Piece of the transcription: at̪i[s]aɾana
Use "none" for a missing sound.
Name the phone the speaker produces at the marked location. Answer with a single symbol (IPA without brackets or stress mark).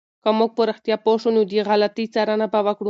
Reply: t͡s